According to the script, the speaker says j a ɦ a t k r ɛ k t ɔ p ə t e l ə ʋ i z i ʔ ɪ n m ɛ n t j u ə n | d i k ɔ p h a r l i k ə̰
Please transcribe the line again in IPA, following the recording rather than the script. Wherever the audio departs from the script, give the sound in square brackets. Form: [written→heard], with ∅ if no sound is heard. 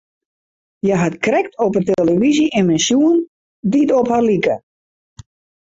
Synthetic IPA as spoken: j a ɦ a t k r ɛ k t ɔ p ə t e l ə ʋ i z i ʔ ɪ n m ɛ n [t→s] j u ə n | d i [k→t] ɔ p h a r l i k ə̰